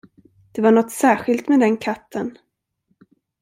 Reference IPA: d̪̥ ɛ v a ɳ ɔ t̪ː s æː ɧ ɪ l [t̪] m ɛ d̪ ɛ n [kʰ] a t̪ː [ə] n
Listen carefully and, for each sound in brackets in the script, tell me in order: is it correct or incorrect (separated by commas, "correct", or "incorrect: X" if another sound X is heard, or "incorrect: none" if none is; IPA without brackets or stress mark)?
correct, correct, correct